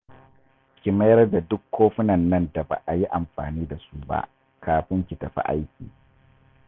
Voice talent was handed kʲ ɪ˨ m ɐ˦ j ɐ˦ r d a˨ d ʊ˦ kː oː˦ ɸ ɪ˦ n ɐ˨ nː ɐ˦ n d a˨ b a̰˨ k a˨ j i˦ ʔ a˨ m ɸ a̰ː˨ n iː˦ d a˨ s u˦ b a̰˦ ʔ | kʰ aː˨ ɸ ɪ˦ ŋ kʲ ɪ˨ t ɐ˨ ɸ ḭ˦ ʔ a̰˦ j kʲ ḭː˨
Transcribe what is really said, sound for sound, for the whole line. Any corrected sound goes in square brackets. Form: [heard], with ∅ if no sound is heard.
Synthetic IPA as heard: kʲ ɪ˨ m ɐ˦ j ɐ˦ r d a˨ d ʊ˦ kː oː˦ ɸ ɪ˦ n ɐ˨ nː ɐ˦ n d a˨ b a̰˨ [ʔ] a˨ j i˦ ʔ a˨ m ɸ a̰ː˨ n iː˦ d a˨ s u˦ b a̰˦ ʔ | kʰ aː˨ ɸ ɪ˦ ŋ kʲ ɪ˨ t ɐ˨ ɸ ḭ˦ ʔ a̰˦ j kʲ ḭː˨